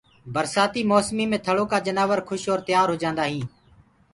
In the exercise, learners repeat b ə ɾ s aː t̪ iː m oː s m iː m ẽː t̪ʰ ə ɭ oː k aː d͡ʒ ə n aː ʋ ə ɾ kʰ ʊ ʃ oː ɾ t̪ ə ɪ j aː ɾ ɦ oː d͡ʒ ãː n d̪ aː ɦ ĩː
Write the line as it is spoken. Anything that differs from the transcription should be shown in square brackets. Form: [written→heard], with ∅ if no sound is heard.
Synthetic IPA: b ə ɾ s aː t̪ iː m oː s m iː m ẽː t̪ʰ ə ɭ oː k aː d͡ʒ ə n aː ʋ ə ɾ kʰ ʊ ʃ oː ɾ t̪ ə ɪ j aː ɾ ɦ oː d͡ʒ ãː n d̪ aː ɦ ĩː